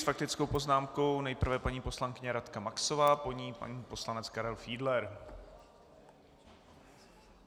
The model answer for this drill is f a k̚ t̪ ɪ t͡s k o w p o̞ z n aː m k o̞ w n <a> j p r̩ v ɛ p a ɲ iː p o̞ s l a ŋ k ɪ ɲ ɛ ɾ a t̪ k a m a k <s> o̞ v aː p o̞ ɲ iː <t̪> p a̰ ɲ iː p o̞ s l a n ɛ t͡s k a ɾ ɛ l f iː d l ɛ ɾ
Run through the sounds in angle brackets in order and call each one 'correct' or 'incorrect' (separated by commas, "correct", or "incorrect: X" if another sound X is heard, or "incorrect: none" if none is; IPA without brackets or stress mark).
incorrect: ɛ, correct, incorrect: none